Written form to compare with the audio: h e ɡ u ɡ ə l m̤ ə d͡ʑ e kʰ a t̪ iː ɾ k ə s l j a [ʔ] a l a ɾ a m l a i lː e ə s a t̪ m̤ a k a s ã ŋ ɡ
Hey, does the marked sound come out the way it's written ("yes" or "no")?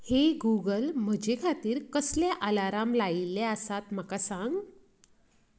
yes